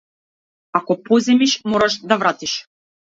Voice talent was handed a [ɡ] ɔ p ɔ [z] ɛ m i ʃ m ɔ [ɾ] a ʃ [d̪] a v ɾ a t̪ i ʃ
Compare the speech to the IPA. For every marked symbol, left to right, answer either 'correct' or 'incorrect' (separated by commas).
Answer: incorrect, correct, correct, correct